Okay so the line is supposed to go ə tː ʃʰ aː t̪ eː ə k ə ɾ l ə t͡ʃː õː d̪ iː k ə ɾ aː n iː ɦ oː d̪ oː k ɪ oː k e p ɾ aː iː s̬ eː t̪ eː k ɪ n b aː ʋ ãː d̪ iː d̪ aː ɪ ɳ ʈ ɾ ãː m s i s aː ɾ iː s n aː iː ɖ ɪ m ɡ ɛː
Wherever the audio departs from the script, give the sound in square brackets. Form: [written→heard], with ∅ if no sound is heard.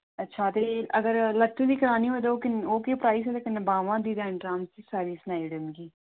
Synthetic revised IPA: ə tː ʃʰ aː t̪ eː ə [k→ɡ] ə ɾ l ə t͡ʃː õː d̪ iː k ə ɾ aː n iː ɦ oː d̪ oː k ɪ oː k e p ɾ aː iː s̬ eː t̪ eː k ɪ n b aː ʋ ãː d̪ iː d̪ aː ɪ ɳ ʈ ɾ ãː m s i s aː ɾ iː s n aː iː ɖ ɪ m ɡ [ɛː→iː]